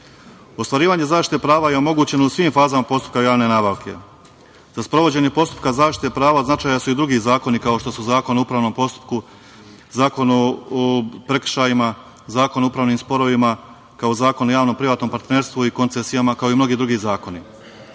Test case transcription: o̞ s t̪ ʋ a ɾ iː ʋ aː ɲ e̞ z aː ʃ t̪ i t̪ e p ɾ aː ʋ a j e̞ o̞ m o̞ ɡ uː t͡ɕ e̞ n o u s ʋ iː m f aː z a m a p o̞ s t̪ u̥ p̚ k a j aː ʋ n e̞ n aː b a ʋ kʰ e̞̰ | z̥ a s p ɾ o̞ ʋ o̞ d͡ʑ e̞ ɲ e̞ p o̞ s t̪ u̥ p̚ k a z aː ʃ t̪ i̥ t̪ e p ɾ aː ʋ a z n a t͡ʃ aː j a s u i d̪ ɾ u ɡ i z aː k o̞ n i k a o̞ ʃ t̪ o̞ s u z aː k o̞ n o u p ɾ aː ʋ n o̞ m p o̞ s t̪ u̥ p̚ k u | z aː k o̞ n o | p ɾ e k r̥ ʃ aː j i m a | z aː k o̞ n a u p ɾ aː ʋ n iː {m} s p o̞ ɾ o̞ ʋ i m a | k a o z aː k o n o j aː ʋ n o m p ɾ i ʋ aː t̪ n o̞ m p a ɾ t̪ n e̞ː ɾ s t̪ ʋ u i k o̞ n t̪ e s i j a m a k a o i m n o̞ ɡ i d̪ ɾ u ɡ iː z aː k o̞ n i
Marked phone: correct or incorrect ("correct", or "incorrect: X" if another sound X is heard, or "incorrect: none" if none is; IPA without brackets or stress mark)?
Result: correct